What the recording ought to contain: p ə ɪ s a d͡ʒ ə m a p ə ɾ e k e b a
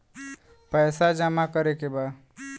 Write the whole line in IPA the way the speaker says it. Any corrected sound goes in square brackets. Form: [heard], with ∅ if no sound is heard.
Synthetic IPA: p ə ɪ s a d͡ʒ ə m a [k] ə ɾ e k e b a

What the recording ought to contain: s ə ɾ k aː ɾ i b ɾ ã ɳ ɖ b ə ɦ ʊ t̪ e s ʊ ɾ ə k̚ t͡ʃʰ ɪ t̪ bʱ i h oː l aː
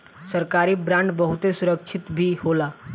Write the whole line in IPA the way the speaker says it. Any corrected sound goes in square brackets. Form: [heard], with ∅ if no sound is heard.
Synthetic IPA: s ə ɾ k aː ɾ i b ɾ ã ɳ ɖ b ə ɦ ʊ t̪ e s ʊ ɾ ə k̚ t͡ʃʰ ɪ t̪ bʱ i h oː l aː

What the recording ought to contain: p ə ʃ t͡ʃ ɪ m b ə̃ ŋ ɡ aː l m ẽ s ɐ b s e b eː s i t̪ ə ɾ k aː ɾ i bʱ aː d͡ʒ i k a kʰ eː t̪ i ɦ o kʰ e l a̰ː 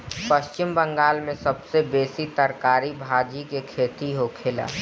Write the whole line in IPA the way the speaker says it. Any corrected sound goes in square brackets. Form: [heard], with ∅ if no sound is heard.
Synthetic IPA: p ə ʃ t͡ʃ ɪ m b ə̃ ŋ ɡ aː l m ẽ s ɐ b s e b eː s i t̪ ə ɾ k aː ɾ i bʱ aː d͡ʒ i k [e] kʰ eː t̪ i ɦ o kʰ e l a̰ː

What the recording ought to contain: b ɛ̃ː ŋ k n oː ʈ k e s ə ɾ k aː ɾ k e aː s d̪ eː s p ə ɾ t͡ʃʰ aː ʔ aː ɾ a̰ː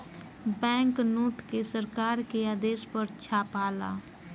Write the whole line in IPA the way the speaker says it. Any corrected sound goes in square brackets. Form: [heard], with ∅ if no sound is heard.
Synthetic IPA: b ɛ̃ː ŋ k n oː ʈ k e s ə ɾ k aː ɾ k e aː [∅] d̪ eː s p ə ɾ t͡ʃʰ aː [p] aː [l] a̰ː

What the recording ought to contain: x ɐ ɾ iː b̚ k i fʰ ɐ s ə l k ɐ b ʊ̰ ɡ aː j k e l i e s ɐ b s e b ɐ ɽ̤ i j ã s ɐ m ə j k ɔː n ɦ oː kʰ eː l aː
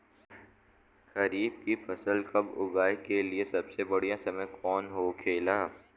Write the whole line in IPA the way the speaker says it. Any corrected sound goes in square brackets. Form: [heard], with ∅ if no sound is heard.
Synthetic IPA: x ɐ ɾ iː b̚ k i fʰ ɐ s ə l k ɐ b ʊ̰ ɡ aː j k e l i e s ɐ b s e b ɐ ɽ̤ i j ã s ɐ m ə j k ɔː n ɦ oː kʰ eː l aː

